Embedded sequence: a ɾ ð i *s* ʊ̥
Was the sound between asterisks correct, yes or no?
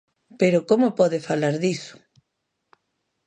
yes